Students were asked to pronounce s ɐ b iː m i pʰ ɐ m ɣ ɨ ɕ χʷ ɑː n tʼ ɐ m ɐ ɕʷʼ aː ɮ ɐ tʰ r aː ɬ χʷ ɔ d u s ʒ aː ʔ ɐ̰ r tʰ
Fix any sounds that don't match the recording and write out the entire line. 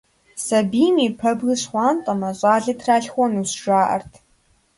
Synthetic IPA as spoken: s ɐ b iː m i pʰ ɐ b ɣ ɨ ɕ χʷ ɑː n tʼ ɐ m ɐ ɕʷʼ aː ɮ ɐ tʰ r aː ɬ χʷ ɔ n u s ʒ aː ʔ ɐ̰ r tʰ